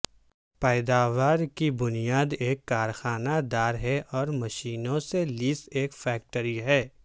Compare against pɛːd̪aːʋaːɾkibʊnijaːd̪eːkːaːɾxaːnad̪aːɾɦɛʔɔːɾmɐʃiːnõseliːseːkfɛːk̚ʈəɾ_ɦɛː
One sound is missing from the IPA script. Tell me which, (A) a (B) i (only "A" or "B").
B